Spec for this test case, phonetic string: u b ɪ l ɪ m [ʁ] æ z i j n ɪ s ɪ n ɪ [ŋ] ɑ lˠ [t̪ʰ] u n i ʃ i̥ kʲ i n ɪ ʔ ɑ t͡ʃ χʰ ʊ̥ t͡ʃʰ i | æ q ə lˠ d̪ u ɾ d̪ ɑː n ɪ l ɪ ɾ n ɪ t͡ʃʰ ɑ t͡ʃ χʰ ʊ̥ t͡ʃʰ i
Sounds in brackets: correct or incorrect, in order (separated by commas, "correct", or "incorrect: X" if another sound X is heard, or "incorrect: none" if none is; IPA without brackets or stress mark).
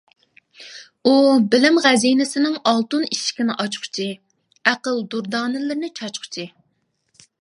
correct, correct, incorrect: t̪